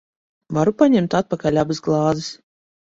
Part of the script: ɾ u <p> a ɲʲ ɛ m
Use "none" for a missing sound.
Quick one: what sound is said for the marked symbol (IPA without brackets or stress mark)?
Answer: p